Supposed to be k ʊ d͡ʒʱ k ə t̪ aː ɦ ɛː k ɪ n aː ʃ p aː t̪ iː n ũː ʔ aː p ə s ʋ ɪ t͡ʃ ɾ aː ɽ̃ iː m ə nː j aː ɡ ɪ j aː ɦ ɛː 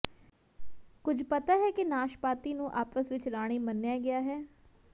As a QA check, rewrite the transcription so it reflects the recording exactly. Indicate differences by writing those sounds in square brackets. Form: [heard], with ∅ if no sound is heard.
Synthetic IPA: k ʊ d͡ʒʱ [p] ə t̪ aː ɦ ɛː k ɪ n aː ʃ p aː t̪ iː n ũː ʔ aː p ə s ʋ ɪ t͡ʃ ɾ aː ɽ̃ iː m ə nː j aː ɡ ɪ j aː ɦ ɛː